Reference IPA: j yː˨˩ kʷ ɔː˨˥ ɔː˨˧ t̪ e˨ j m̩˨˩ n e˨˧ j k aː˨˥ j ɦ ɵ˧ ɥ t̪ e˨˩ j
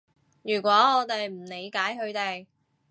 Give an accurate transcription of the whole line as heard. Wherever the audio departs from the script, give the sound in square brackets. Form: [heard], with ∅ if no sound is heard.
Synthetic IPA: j yː˨˩ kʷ ɔː˨˥ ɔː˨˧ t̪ e˨ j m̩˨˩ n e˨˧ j k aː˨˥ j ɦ ɵ˧ ɥ t̪ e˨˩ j